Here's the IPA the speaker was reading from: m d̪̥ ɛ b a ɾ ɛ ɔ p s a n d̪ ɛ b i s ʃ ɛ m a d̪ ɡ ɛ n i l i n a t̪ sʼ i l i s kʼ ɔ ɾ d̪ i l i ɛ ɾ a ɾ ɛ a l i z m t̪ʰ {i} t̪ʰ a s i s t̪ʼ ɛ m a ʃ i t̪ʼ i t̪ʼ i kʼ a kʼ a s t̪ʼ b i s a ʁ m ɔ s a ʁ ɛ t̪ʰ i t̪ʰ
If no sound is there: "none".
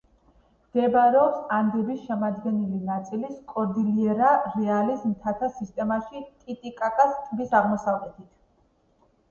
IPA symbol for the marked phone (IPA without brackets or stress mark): a